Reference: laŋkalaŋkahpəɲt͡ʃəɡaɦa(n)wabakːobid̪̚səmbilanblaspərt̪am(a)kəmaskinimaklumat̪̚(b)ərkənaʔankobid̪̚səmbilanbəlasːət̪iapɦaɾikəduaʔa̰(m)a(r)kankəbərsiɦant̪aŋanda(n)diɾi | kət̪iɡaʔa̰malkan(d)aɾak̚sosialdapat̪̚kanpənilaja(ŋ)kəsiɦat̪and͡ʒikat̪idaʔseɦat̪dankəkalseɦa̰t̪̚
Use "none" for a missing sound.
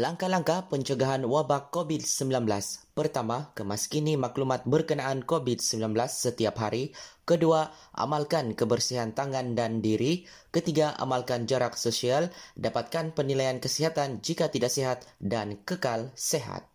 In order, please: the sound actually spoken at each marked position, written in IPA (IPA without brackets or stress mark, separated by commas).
n, a, b, m, l, n, d͡ʒ, n